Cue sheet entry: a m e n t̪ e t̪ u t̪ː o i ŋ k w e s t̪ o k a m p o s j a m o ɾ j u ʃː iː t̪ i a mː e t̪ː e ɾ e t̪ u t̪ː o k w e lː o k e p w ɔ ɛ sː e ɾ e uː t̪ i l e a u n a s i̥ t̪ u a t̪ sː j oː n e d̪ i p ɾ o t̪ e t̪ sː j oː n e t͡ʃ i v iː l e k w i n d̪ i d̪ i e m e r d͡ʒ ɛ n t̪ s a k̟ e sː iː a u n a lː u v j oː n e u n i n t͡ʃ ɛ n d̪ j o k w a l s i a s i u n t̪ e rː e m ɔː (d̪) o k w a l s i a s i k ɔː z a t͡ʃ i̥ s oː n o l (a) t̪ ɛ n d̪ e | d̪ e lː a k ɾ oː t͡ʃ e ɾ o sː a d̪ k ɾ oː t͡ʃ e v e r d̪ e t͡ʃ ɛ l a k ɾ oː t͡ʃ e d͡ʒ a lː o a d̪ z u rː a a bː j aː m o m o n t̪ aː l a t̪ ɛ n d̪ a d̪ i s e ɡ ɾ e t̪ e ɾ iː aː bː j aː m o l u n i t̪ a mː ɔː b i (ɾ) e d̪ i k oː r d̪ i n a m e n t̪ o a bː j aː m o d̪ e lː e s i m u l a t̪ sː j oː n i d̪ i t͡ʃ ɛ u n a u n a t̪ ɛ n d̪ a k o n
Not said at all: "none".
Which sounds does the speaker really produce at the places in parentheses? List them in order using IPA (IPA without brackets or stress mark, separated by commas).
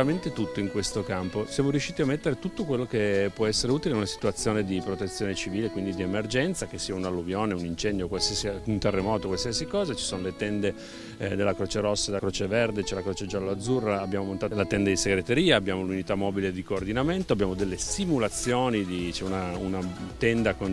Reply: t̪, e, l